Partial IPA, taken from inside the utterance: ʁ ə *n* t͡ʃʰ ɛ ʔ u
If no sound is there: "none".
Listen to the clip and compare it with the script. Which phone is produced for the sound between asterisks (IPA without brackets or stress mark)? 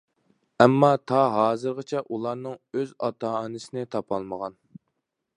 none